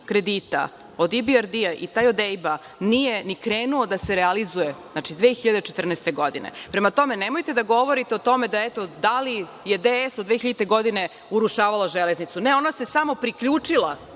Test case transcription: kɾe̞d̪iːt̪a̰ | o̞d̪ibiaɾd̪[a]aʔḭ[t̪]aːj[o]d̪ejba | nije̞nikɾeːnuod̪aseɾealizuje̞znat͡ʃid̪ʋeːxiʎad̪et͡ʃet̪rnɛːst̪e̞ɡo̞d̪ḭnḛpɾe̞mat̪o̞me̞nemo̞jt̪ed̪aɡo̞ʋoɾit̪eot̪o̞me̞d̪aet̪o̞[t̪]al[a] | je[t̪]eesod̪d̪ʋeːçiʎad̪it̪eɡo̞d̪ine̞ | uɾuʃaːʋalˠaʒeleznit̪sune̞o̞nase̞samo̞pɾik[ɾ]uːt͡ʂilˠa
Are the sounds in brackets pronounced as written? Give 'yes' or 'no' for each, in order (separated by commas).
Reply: no, yes, yes, no, no, no, no